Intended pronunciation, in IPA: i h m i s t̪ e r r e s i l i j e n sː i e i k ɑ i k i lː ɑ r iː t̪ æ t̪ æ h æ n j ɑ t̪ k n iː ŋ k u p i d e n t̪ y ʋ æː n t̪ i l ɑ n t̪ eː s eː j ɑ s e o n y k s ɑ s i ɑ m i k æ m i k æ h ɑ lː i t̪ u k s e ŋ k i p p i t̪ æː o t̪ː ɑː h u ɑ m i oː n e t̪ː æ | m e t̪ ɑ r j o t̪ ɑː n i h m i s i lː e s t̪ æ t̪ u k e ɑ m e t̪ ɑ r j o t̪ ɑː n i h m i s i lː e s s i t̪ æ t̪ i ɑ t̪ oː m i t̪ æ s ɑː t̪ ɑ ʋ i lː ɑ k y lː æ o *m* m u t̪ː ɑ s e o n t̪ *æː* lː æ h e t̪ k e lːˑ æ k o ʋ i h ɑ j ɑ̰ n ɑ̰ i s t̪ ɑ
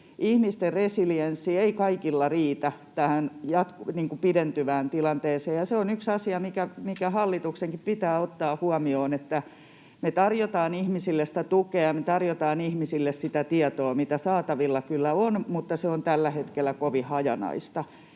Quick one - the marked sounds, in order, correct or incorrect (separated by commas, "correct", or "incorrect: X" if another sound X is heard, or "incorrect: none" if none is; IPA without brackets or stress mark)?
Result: incorrect: n, incorrect: æ